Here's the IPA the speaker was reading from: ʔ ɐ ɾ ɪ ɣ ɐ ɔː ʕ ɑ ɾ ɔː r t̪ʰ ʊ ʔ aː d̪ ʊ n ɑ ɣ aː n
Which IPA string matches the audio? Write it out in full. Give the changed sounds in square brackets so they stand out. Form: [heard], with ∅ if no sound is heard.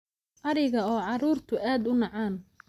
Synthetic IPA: ʔ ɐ ɾ ɪ ɣ ɐ ɔː ʕ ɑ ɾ [uː] r t̪ʰ ʊ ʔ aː d̪ ʊ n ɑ [ʕ] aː n